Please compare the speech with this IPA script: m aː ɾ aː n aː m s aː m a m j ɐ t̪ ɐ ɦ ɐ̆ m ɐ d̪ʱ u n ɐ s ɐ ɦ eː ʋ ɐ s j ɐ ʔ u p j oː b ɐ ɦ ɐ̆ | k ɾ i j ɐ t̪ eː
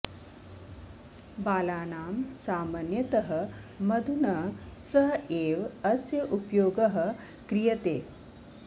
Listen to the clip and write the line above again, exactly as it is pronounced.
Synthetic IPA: b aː l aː n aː m s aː m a n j ɐ t̪ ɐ ɦ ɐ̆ m ɐ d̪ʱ u n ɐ s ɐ ɦ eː ʋ ɐ s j ɐ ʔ u p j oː ɡ ɐ ɦ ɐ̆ | k ɾ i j ɐ t̪ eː

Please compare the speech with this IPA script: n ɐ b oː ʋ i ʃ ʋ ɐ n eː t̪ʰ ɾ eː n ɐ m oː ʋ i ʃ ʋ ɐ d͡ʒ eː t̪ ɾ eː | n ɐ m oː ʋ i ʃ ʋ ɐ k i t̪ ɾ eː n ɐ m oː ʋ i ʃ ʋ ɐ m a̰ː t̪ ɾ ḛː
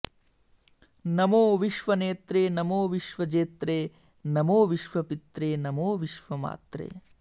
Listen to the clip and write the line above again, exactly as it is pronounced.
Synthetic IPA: n ɐ m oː ʋ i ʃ ʋ ɐ n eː t̪ ɾ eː n ɐ m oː ʋ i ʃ ʋ ɐ d͡ʒ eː t̪ ɾ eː | n ɐ m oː ʋ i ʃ ʋ ɐ p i t̪ ɾ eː n ɐ m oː ʋ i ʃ ʋ ɐ m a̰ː t̪ ɾ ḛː

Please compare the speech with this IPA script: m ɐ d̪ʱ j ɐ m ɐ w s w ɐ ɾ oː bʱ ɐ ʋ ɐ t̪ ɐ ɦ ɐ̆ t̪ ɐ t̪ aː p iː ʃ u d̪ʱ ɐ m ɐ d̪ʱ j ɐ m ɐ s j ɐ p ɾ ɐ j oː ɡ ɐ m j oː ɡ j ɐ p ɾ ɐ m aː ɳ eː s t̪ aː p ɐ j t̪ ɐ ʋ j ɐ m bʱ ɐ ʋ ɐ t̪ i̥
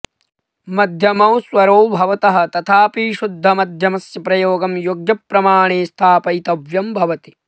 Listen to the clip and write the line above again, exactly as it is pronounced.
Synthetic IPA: m ɐ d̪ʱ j ɐ m ɐ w s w ɐ ɾ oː bʱ ɐ ʋ ɐ t̪ ɐ ɦ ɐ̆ t̪ ɐ t̪ʰ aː p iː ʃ u d̪ʱː ɐ m ɐ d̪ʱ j ɐ m ɐ s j ɐ p ɾ ɐ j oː ɡ ɐ m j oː ɡ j ɐ p ɾ ɐ m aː ɳ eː s t̪ʰ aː p ɐ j t̪ ɐ ʋ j ɐ m bʱ ɐ ʋ ɐ t̪ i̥

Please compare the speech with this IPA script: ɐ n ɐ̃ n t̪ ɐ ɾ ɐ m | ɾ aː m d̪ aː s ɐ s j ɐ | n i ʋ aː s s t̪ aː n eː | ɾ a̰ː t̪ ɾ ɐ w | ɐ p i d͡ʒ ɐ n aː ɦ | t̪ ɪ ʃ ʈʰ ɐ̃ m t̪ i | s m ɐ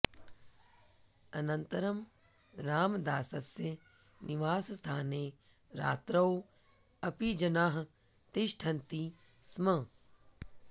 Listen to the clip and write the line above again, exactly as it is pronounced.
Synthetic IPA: ɐ n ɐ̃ n t̪ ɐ ɾ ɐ m | ɾ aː m d̪ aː s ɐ s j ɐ | n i ʋ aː s s t̪ʰ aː n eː | ɾ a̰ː t̪ ɾ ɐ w | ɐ p i d͡ʒ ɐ n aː ɦ | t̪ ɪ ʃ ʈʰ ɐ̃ n t̪ i | s m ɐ

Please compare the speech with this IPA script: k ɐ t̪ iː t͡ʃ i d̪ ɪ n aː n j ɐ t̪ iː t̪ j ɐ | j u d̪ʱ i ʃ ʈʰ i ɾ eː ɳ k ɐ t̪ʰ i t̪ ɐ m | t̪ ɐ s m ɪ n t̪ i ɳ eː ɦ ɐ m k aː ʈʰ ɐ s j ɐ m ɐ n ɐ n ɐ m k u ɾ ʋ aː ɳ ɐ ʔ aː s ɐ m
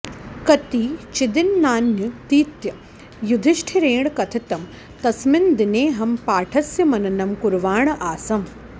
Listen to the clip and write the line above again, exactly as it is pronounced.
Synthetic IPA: k ɐ t̪ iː t͡ʃ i d̪ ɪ nː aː n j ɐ t̪ iː t̪ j ɐ | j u d̪ʱ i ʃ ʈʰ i ɾ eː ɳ k ɐ t̪ʰ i t̪ ɐ m | t̪ ɐ s m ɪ n d̪ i n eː ɦ ɐ m p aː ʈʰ ɐ s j ɐ m ɐ n ɐ n ɐ m k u ɾ ʋ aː ɳ ɐ ʔ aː s ɐ m

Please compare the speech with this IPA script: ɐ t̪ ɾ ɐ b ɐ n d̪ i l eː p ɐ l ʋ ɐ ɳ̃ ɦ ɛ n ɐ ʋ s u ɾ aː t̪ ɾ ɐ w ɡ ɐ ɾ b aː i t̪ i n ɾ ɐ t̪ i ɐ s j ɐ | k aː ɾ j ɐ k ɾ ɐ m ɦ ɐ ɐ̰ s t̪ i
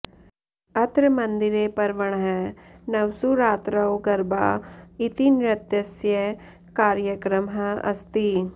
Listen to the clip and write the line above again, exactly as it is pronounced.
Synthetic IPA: ɐ t̪ ɾ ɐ m ɐ n d̪ i ɾ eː p ɐ ɾ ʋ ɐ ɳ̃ ɦ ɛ n ɐ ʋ s u ɾ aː t̪ ɾ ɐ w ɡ ɐ ɾ b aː i t̪ i n ɾ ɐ t̪ j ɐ s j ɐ | k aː ɾ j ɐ k ɾ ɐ m ɦ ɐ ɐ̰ s t̪ i

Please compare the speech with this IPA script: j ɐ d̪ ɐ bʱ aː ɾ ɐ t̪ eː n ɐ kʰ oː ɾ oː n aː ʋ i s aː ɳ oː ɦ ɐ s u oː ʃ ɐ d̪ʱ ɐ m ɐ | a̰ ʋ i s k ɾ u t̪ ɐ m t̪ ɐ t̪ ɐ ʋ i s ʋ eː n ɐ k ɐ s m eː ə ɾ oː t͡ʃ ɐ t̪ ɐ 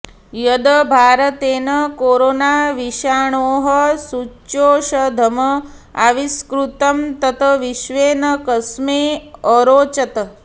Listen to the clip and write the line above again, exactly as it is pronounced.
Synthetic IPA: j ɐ d̪ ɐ bʱ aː ɾ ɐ t̪ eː n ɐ k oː ɾ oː n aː ʋ i ʃ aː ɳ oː ɦ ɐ s u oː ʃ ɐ d̪ʱ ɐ m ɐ | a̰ ʋ i s k ɾ u t̪ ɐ m t̪ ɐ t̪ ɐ ʋ i ʃ ʋ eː n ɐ k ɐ s m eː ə ɾ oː t͡ʃ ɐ t̪ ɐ

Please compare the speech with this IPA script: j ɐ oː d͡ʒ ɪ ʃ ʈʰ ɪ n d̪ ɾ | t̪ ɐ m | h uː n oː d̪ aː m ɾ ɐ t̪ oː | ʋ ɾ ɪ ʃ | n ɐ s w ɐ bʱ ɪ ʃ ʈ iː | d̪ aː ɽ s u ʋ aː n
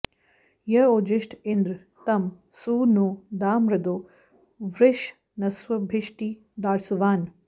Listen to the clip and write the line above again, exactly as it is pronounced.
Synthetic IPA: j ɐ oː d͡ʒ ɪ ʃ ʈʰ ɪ n d̪ ɾ | t̪ ɐ m | s uː n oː d̪ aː m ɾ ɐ d̪ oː | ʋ ɾ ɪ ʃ | n ɐ s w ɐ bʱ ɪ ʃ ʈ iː | d̪ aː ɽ s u ʋ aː n

